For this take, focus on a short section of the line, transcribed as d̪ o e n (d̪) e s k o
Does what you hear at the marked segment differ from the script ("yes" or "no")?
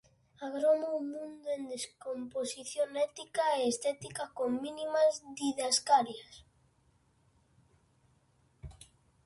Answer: no